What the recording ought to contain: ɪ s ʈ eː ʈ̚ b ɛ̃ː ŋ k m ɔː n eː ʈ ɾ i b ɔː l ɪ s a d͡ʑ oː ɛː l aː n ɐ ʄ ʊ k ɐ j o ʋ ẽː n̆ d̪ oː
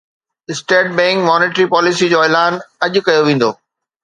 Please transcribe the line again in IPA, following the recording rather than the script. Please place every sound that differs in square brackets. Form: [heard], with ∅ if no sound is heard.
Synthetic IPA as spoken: ɪ s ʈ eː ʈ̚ b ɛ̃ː ŋ k m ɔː n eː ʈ ɾ i [p] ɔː l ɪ s [i] d͡ʑ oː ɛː l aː n ɐ ʄ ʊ k ɐ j o ʋ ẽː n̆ d̪ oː